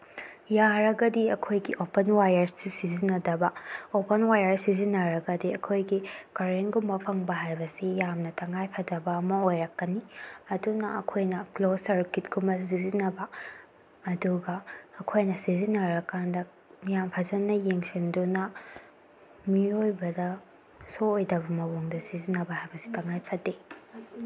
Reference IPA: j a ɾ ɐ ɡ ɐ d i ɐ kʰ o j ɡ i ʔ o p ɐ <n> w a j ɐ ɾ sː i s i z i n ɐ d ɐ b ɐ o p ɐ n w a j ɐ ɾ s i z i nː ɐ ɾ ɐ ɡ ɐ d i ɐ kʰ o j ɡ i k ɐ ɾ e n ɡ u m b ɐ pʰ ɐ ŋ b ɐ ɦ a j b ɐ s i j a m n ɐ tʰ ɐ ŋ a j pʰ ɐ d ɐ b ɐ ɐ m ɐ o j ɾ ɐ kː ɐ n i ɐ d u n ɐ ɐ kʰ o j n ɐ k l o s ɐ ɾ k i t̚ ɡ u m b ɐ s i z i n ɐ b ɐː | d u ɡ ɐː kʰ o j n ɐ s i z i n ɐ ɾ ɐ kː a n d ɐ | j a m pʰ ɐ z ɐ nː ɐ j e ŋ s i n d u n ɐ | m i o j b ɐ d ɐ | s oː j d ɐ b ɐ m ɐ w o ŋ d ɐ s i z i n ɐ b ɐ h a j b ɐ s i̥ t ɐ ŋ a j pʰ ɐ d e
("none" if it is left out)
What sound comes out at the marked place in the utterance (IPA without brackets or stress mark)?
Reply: n